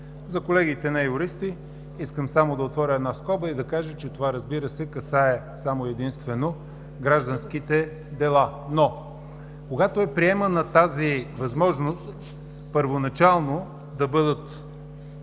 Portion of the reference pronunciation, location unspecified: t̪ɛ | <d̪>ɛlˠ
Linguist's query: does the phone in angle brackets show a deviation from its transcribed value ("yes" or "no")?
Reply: no